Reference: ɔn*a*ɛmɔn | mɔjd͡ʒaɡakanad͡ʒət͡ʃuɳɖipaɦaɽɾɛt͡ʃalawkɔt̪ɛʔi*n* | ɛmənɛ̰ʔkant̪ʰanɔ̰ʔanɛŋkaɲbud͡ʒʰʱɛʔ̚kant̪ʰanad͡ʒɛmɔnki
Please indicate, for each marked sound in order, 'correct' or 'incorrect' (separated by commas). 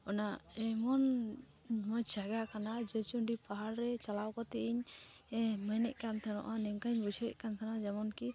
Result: correct, incorrect